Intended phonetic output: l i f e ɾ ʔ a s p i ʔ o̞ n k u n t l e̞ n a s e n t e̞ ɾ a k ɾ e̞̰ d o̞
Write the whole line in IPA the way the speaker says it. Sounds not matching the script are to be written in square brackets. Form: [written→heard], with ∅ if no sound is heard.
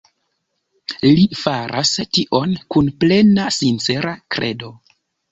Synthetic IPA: l i f [e→a] ɾ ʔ a s [p→t] i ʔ o̞ n k u n [t→p] l e̞ n a s [e→i] n [t→t͡s] e̞ ɾ a k ɾ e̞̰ d o̞